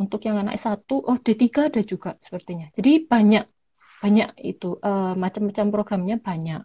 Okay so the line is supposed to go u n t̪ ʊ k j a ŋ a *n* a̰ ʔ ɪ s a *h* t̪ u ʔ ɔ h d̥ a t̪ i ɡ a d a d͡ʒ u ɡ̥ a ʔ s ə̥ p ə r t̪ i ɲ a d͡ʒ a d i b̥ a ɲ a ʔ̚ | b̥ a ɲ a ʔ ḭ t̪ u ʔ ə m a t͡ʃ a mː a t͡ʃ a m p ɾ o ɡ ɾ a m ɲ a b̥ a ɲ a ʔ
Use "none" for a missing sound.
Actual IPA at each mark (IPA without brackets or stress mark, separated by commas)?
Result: n, none